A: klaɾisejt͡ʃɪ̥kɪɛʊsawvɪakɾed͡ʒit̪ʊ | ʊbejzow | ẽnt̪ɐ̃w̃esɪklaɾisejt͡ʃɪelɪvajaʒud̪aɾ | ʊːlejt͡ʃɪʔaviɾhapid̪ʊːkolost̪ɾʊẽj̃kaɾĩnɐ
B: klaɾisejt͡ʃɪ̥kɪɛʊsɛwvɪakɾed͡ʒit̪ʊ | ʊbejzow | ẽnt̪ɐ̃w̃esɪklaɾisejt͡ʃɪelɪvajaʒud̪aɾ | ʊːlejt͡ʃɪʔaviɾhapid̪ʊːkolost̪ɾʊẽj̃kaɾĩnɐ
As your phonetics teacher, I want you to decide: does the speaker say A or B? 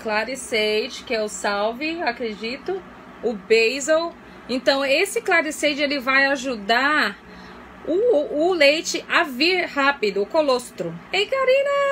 A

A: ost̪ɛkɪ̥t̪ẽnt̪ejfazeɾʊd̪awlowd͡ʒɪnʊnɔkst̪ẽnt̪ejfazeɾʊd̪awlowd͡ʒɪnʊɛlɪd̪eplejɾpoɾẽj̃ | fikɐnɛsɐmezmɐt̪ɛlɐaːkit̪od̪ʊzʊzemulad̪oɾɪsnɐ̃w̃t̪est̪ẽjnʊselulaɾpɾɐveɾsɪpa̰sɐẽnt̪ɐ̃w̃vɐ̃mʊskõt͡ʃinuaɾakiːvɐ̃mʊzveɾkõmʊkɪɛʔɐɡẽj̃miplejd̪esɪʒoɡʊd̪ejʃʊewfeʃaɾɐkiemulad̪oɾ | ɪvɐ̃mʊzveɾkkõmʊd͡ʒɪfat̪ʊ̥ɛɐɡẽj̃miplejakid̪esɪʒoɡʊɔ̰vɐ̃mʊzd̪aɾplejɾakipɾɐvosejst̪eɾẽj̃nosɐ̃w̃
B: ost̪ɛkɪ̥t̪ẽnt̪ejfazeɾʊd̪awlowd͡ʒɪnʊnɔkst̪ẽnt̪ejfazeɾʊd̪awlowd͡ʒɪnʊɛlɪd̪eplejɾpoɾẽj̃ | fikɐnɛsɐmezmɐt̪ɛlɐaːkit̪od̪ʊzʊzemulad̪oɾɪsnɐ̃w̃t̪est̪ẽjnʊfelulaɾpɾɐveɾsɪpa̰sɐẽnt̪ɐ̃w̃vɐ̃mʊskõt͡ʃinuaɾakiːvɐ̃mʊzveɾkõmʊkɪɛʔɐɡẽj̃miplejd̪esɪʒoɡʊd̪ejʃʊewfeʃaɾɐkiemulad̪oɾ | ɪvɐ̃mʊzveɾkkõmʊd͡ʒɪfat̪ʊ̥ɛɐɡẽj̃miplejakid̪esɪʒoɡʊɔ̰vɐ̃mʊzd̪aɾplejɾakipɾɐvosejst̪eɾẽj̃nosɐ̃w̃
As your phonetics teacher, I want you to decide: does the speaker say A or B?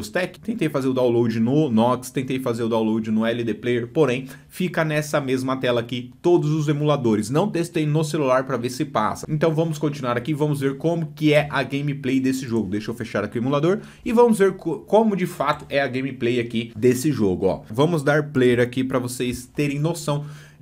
A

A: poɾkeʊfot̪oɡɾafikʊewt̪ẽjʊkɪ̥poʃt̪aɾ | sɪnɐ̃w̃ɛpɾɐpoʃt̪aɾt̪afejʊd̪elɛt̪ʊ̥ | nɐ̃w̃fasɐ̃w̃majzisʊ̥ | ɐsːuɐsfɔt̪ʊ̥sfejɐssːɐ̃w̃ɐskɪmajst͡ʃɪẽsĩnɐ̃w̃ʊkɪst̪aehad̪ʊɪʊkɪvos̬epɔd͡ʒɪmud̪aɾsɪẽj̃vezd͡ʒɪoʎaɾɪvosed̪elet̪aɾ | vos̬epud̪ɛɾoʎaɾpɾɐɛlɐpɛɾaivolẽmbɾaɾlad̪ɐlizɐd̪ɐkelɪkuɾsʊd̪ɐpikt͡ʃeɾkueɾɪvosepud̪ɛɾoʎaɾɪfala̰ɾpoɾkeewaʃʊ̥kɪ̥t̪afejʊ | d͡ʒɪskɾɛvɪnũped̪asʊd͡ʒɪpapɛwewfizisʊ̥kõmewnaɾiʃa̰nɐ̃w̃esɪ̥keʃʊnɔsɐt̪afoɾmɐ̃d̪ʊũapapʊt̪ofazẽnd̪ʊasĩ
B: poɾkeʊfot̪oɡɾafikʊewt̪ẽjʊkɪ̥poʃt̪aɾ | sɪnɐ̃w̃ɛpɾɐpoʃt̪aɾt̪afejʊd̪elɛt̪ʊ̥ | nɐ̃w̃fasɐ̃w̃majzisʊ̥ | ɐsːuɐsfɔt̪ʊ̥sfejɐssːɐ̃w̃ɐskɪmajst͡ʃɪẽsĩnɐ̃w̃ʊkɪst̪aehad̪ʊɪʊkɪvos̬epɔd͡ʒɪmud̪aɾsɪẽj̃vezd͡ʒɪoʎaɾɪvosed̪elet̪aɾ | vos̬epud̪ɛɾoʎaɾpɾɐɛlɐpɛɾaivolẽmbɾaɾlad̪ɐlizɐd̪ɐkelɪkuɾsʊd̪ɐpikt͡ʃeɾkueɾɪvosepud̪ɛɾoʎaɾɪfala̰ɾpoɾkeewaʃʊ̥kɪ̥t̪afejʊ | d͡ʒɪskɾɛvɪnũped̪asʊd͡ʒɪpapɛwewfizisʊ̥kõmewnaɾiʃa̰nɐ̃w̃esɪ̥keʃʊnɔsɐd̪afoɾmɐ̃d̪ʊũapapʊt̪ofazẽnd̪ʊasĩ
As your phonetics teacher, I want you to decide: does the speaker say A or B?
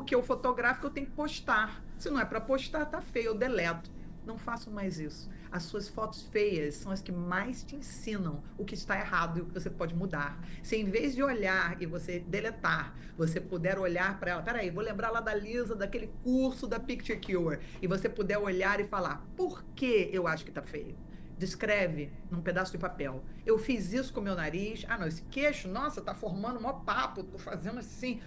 A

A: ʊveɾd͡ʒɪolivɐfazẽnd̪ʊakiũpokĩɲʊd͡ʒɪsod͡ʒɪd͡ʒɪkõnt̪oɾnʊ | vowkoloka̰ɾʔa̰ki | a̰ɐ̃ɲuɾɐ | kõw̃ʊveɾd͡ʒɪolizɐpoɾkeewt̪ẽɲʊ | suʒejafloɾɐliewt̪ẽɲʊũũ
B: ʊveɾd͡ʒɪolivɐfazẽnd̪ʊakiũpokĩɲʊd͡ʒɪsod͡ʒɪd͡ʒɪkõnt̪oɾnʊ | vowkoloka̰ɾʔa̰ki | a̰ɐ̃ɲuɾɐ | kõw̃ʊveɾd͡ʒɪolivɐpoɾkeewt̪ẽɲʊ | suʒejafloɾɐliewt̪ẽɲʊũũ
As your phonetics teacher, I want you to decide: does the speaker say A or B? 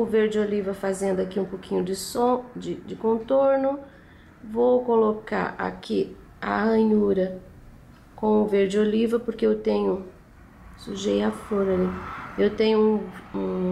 B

